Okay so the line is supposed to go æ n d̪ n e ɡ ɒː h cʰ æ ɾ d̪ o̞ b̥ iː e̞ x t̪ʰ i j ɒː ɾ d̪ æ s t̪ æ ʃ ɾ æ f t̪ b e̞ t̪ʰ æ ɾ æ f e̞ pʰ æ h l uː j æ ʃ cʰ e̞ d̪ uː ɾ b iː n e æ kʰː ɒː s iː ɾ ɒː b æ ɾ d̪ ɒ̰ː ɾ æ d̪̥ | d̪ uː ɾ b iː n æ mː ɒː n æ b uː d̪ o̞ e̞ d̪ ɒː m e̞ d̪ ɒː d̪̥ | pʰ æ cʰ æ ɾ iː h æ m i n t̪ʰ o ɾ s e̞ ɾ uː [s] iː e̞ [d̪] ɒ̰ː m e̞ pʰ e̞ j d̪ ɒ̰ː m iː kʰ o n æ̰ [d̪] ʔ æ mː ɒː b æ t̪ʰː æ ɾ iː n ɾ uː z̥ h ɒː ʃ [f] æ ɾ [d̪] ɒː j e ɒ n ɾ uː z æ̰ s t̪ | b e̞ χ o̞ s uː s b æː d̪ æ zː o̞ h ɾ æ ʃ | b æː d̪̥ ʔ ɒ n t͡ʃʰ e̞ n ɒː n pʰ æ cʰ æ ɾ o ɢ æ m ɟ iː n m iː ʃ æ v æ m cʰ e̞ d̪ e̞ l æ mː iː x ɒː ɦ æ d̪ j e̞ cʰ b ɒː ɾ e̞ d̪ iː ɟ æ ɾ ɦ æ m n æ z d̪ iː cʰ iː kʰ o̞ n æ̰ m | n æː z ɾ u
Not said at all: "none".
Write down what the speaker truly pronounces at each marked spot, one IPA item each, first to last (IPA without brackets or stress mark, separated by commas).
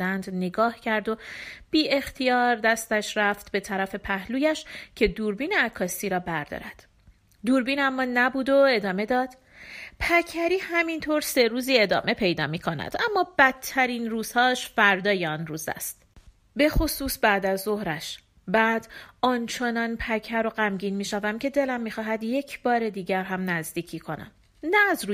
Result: z, d̪, d̪, f, d̪